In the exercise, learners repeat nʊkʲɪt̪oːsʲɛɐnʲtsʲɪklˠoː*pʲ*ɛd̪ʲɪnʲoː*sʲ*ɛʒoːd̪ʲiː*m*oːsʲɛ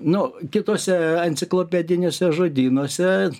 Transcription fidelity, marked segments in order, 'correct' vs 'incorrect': correct, correct, incorrect

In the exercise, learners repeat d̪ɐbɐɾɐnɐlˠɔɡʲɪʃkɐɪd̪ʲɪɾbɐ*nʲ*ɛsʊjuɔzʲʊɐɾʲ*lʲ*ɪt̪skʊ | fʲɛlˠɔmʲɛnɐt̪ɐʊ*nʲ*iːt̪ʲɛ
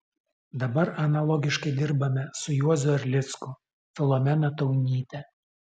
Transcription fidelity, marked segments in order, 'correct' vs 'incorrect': incorrect, correct, correct

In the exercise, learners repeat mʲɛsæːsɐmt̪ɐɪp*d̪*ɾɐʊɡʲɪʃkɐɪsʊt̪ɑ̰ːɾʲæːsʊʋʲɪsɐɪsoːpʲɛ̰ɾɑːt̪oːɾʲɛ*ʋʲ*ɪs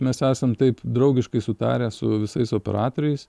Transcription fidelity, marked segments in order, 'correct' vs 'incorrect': correct, incorrect

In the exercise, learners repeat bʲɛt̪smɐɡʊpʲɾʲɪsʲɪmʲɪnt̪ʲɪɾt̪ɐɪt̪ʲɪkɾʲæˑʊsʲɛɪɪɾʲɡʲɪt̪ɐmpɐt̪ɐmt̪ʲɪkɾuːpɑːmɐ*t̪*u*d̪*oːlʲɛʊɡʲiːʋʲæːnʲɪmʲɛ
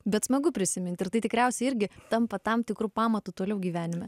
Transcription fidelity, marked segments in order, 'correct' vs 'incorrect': correct, incorrect

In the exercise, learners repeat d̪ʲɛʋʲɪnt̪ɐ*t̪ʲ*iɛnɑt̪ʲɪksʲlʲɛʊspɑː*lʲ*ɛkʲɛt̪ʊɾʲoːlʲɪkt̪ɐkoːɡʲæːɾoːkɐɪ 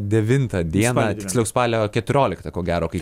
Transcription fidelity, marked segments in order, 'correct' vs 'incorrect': incorrect, correct

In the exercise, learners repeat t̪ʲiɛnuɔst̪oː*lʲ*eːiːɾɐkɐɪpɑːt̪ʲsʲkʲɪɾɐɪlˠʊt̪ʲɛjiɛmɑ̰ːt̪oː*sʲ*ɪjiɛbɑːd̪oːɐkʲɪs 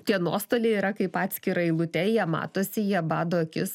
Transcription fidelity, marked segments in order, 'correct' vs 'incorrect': correct, correct

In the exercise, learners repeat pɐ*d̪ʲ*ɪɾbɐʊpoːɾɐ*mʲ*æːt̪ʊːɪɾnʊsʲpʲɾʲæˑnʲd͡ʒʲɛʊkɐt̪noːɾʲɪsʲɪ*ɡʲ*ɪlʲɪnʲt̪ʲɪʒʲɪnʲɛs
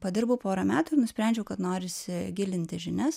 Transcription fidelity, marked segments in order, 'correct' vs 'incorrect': correct, correct, correct

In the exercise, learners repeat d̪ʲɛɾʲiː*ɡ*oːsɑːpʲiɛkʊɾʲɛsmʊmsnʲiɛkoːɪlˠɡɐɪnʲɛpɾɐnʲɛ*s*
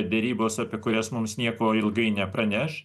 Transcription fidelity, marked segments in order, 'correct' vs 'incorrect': incorrect, incorrect

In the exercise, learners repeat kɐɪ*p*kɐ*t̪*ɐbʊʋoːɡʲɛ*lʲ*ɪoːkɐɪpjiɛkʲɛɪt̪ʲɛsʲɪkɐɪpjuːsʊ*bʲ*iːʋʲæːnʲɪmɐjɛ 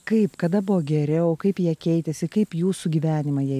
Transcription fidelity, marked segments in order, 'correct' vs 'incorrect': correct, incorrect, incorrect, incorrect

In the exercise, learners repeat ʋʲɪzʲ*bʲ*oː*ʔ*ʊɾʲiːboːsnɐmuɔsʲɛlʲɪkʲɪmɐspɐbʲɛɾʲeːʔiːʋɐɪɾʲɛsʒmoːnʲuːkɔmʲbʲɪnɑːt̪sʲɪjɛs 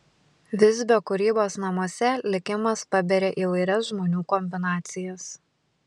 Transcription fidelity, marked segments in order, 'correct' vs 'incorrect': correct, incorrect

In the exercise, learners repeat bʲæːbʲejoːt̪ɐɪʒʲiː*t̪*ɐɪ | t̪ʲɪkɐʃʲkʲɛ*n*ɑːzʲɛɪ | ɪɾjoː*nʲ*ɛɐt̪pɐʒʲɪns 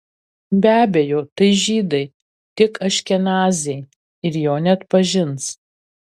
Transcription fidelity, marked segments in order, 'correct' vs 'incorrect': incorrect, correct, correct

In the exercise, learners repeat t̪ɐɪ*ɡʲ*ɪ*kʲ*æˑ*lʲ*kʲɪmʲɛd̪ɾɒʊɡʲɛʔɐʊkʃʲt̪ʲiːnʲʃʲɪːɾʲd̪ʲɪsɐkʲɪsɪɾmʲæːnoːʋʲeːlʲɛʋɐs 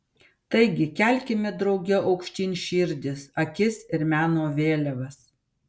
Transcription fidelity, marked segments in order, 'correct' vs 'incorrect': correct, correct, correct

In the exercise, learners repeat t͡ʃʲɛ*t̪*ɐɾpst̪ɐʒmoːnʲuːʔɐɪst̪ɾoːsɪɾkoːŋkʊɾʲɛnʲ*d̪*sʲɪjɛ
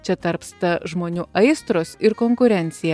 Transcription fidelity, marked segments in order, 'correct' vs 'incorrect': correct, incorrect

